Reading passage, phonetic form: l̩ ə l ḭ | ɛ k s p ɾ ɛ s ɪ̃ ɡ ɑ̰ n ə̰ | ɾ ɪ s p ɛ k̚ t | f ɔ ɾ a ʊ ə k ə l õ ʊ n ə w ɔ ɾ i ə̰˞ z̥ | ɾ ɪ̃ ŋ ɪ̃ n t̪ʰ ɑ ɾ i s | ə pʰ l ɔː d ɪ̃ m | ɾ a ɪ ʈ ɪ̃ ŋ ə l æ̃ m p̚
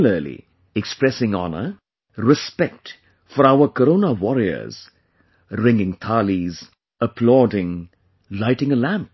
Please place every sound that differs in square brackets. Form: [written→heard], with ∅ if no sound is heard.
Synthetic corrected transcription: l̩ ə l ḭ | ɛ k s p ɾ ɛ s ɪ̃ [ɡ→ŋ] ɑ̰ n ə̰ | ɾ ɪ s p ɛ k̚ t | f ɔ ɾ a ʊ ə k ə [l→ɾ] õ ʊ n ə w ɔ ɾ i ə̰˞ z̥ | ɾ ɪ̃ ŋ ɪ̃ [n→ŋ] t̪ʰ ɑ [ɾ→l] i [s→z] | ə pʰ l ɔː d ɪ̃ [m→ŋ] | [ɾ→l] a ɪ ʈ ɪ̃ ŋ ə l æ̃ m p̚

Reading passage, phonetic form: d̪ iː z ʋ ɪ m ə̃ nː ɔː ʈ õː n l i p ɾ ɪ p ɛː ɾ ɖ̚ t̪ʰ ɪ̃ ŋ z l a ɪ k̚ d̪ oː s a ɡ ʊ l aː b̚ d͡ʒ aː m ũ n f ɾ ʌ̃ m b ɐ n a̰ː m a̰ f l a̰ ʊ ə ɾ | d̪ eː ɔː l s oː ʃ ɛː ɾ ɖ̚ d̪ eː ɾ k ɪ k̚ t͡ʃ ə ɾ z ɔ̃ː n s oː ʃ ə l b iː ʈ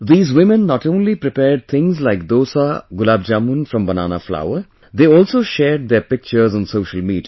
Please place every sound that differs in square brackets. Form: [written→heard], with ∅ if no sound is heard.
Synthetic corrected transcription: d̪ iː z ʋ ɪ m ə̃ nː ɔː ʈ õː n l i p ɾ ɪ p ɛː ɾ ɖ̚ t̪ʰ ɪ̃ ŋ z l a ɪ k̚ d̪ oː s a ɡ ʊ l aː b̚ d͡ʒ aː m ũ n f ɾ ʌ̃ m b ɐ n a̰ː [m→n] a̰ f l a̰ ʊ ə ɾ | d̪ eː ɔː l s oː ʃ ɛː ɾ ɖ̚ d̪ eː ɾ [k→p] ɪ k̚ t͡ʃ ə ɾ z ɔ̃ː n s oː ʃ ə l [b→m] iː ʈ

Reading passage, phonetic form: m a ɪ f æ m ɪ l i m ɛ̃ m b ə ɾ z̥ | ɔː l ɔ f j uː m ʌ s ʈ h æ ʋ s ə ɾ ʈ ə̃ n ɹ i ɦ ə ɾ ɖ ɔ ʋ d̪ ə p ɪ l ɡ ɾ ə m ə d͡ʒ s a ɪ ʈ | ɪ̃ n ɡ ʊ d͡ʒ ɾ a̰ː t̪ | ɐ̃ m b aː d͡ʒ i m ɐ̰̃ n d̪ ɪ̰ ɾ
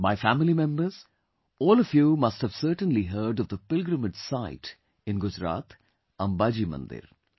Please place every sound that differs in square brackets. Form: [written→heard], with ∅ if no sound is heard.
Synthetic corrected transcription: m a ɪ f æ m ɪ l i m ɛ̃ m b ə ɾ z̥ | ɔː l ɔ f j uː m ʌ s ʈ h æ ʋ s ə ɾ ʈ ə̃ n [ɹ→l] i ɦ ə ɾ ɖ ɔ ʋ d̪ ə p ɪ l ɡ ɾ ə m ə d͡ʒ s a ɪ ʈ | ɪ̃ n ɡ ʊ d͡ʒ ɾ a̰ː t̪ | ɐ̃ m b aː d͡ʒ i m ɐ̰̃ n d̪ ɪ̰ ɾ

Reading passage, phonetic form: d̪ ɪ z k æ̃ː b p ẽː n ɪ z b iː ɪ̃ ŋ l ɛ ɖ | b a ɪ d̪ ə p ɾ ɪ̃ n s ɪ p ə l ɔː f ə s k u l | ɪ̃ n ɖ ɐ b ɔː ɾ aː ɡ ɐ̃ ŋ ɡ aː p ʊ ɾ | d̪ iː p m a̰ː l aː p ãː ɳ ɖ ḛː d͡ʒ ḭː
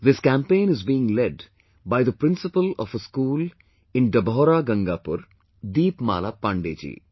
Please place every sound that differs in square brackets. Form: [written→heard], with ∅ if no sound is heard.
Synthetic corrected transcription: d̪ ɪ [z→s] k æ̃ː [b→m] p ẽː n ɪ z b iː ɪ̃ ŋ l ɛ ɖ | b a ɪ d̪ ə p ɾ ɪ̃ n s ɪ p ə l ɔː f ə s k [u→uː] l | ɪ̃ n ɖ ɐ b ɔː ɾ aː ɡ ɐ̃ ŋ ɡ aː p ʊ ɾ | d̪ iː p m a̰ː l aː p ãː ɳ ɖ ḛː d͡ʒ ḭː

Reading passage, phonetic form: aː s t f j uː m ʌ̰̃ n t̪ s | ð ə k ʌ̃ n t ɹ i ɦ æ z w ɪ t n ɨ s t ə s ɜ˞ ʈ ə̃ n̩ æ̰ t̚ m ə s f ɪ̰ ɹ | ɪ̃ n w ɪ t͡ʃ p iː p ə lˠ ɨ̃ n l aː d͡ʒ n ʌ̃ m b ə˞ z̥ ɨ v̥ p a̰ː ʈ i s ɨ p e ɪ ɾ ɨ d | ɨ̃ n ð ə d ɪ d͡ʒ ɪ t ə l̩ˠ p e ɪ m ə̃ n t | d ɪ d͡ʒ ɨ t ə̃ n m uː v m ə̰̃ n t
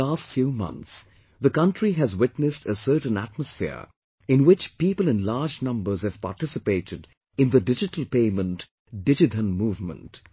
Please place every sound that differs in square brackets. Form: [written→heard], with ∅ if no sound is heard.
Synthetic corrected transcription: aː s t f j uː m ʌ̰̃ n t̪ s | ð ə k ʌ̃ n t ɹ i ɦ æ z w ɪ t n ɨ s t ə s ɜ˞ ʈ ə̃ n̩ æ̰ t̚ m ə s f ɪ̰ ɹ | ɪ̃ n w ɪ t͡ʃ p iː p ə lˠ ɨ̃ n l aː d͡ʒ n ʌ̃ m b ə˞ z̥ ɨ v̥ p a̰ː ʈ [i→ɪ] s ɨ p e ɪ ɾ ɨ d | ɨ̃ n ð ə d ɪ d͡ʒ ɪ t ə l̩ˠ p e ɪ m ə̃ n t | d ɪ d͡ʒ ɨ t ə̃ n m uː v m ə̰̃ n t

